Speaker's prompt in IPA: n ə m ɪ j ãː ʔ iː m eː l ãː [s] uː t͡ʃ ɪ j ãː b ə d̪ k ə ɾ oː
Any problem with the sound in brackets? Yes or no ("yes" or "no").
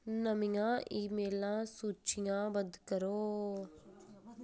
no